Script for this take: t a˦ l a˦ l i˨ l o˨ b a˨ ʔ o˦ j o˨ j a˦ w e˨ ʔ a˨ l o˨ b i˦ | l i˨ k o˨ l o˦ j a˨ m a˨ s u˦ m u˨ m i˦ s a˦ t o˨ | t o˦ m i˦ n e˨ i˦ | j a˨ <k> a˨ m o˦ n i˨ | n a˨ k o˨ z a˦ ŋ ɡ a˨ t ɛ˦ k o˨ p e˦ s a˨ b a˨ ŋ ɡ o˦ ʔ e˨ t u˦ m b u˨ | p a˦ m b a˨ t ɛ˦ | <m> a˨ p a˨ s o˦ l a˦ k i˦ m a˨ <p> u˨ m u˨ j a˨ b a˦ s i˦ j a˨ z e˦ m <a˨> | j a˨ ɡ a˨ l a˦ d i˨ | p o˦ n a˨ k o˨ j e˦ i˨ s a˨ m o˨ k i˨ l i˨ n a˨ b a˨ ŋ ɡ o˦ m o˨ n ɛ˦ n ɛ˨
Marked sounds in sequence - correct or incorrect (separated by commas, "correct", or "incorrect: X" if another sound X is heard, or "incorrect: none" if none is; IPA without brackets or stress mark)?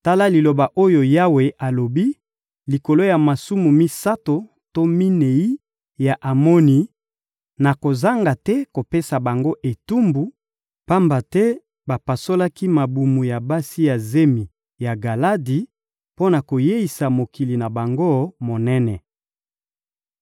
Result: incorrect: ʔ, incorrect: b, incorrect: b, incorrect: i˨